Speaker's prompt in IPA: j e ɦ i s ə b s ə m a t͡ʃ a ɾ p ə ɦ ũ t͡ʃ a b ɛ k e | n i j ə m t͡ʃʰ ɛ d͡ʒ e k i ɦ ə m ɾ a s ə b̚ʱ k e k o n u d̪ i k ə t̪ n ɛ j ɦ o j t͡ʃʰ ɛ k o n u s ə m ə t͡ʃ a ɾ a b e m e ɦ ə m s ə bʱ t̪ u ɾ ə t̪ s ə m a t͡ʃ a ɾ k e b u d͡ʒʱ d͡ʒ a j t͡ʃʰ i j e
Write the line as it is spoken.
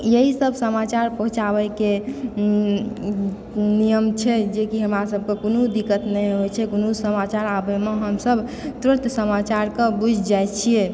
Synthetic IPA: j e ɦ i s ə b s ə m a t͡ʃ a ɾ p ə ɦ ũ t͡ʃ a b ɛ k e | n i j ə m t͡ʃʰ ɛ d͡ʒ e k i ɦ ə m ɾ a s ə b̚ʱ k e k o n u d̪ i k ə t̪ n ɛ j ɦ o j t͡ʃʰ ɛ k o n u s ə m a t͡ʃ a ɾ a b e m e ɦ ə m s ə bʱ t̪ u ɾ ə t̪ s ə m a t͡ʃ a ɾ k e b u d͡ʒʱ d͡ʒ a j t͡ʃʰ i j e